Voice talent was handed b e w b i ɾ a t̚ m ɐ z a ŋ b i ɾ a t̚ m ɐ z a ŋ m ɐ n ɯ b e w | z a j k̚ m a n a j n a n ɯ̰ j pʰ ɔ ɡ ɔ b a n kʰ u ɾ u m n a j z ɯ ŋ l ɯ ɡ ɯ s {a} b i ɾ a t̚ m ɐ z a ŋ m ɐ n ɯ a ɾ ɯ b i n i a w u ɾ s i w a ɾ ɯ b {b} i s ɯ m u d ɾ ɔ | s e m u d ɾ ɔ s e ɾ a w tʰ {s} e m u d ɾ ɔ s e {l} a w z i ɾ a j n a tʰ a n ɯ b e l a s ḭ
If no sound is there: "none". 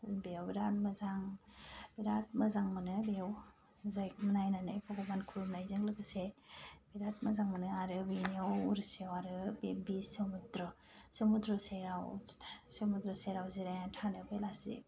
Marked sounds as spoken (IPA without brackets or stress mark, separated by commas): e, b, s, ɾ